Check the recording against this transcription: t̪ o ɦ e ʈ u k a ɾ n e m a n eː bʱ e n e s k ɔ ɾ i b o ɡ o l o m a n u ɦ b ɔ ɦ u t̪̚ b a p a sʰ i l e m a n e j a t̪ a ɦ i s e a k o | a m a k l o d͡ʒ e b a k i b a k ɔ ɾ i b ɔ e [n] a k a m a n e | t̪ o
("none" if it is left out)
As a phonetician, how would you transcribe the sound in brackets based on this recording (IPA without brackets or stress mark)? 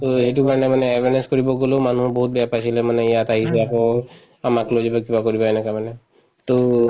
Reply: n